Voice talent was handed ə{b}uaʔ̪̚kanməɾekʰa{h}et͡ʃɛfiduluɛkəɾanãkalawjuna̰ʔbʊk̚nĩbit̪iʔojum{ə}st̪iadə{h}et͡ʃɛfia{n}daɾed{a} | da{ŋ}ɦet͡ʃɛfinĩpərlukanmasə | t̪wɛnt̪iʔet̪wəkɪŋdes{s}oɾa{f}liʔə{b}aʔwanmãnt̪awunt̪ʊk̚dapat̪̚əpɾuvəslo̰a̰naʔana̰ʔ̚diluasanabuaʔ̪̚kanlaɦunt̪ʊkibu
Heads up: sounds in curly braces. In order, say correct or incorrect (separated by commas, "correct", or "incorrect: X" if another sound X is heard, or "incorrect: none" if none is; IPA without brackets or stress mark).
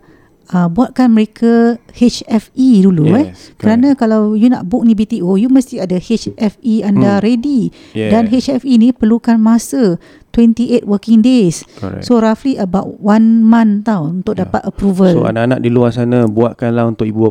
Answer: correct, correct, correct, correct, correct, incorrect: i, incorrect: n, correct, correct, correct